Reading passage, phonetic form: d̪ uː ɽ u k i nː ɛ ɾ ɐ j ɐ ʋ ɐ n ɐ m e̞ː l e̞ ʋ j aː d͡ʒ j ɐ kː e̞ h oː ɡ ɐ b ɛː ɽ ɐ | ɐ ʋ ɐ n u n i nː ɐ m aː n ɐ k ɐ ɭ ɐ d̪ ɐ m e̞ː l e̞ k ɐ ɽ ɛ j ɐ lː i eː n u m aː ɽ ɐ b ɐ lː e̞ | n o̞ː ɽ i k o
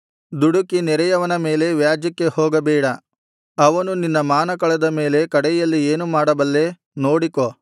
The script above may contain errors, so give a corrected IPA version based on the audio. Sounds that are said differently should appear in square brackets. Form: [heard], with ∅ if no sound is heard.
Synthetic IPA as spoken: d̪ [u] ɽ u k i [n] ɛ ɾ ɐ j ɐ ʋ ɐ n ɐ m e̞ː l e̞ ʋ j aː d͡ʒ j ɐ kː e̞ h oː ɡ ɐ b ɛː ɽ ɐ | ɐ ʋ ɐ n u n i nː ɐ m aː n ɐ k ɐ ɭ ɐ d̪ ɐ m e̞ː l e̞ k ɐ ɽ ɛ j ɐ lː i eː n u m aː ɽ ɐ b ɐ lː e̞ | n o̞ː ɽ i k o

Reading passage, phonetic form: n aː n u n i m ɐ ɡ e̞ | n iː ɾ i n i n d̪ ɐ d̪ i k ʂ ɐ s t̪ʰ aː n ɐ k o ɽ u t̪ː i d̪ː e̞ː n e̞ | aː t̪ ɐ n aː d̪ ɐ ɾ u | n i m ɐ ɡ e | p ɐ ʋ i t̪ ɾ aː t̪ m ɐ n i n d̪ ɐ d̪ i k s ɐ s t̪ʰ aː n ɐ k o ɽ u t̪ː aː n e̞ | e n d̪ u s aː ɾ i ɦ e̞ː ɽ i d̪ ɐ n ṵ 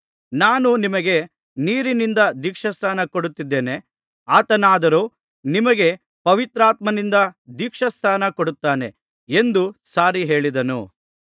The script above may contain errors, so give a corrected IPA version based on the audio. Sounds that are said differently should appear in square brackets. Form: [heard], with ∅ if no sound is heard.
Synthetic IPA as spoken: n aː n u n i m ɐ ɡ e̞ | n iː ɾ i n i n d̪ ɐ d̪ i k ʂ ɐ s t̪ʰ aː n ɐ k o ɽ u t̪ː i d̪ː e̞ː n e̞ | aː t̪ ɐ n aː d̪ ɐ ɾ u | n i m ɐ ɡ e | p ɐ ʋ i t̪ ɾ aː t̪ m ɐ n i n d̪ ɐ d̪ i k [ʂ] ɐ s t̪ʰ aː n ɐ k o ɽ u t̪ː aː n e̞ | e n d̪ u s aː ɾ i ɦ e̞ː [ɭ] i d̪ ɐ n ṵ

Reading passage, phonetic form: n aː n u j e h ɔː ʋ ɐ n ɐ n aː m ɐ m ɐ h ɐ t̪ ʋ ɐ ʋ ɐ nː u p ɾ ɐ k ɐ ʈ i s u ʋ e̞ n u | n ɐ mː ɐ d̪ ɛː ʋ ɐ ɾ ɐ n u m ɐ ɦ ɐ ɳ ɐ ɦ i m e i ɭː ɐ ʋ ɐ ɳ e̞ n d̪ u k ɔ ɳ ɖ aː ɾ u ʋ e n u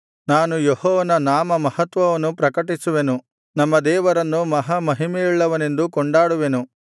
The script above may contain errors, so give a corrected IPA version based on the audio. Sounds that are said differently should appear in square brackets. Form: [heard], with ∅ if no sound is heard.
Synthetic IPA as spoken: n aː n u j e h ɔː ʋ ɐ n ɐ n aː m ɐ m ɐ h ɐ t̪ ʋ ɐ ʋ ɐ nː u p ɾ ɐ k ɐ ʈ i s u ʋ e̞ n u | n ɐ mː ɐ d̪ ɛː ʋ ɐ ɾ ɐ [nː] u m ɐ ɦ ɐ [m] ɐ ɦ i m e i ɭː ɐ ʋ ɐ [n] e̞ n d̪ u k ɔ ɳ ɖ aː [ɽ] u ʋ e n u

